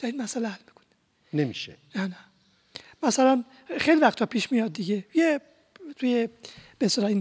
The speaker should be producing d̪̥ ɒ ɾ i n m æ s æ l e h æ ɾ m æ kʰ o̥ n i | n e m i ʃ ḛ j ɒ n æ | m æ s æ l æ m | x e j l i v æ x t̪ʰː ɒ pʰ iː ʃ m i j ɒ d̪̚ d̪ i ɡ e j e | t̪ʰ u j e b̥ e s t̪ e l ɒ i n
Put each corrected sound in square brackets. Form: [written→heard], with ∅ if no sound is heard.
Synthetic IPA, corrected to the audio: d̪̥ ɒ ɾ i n m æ s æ l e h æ [ɾ→l] m [æ→i] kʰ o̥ n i | n e m i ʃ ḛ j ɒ n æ | m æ s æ l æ [m→n] | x e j l i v æ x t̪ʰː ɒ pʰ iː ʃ m i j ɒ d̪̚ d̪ i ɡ e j e | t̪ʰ u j e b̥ e s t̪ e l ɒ i n